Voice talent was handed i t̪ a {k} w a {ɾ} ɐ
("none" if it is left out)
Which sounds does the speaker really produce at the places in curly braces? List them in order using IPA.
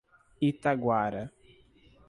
ɡ, ɾ

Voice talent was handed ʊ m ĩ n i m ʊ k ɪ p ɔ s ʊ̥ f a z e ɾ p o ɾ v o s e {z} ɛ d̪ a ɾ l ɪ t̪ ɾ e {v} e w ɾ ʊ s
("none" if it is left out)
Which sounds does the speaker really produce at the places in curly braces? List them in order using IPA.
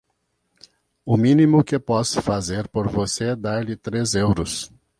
none, z

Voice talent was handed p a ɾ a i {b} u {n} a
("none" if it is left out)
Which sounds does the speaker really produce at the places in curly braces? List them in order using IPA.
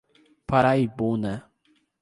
b, n

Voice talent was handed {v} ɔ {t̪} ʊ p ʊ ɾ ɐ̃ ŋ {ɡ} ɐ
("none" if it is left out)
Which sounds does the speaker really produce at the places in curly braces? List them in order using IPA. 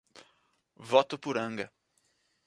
v, t̪, ɡ

